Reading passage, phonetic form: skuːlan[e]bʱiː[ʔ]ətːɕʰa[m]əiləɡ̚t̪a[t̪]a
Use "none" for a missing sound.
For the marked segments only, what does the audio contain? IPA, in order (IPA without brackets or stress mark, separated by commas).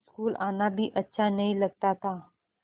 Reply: a, ʔ, n, t̪